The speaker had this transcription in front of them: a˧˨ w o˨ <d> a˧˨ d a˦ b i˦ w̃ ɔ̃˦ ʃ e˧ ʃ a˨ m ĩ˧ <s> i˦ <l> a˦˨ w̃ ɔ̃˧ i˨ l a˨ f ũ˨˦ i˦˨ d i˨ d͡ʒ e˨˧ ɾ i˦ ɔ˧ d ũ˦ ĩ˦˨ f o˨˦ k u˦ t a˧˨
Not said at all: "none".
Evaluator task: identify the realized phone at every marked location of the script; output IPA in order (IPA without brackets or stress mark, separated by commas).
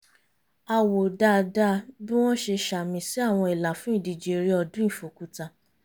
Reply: d, s, none